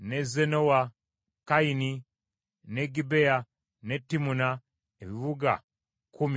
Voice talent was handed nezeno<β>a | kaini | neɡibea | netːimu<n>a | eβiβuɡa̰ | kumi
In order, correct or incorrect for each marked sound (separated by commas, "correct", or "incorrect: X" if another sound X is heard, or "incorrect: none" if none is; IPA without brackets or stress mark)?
incorrect: w, correct